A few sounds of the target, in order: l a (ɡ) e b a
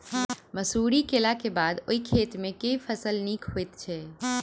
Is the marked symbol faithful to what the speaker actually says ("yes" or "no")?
no